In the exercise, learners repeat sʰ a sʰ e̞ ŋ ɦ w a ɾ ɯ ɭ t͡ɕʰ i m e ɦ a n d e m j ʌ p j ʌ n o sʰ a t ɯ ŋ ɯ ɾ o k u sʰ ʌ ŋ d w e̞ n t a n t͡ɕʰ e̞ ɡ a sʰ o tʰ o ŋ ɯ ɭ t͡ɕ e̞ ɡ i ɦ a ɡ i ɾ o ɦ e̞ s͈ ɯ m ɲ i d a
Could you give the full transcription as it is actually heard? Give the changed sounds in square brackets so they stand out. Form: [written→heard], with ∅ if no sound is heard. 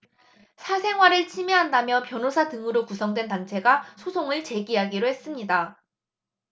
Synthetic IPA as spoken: sʰ a sʰ e̞ ŋ ɦ w a ɾ ɯ ɭ t͡ɕʰ i m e ɦ a n d [e→a] m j ʌ p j ʌ n o sʰ a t ɯ ŋ ɯ ɾ o k u sʰ ʌ ŋ d w e̞ n t a n t͡ɕʰ e̞ ɡ a sʰ o [tʰ→sʰ] o ŋ ɯ ɭ t͡ɕ e̞ ɡ i ɦ a ɡ i ɾ o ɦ e̞ s͈ ɯ m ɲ i d a